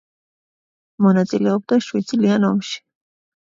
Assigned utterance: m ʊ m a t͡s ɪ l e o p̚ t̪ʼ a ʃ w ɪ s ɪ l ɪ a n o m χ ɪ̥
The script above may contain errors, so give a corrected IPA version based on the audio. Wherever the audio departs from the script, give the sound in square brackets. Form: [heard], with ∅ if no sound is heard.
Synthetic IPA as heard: m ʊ [n] a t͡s ɪ l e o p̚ [t̪] a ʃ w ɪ [t͡s] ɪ l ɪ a n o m [ʃ] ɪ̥